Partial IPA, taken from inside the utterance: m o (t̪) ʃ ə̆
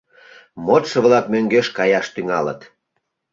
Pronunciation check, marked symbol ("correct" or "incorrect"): correct